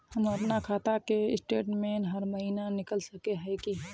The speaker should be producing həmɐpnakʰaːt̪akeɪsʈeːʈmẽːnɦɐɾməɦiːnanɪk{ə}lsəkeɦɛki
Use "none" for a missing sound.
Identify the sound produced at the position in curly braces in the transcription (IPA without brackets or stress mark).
ə